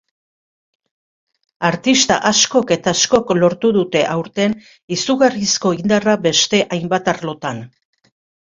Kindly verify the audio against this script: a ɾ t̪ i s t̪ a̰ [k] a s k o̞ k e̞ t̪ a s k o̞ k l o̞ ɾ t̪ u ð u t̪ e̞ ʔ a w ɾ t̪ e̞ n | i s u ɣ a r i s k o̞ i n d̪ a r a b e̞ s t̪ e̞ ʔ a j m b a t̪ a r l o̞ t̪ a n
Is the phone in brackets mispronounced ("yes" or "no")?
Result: yes